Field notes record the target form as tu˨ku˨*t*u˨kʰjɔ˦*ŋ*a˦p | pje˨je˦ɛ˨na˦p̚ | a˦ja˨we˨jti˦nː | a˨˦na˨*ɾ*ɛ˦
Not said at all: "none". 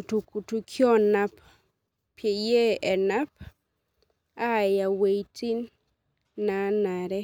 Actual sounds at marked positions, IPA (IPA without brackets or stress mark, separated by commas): t, n, ɾ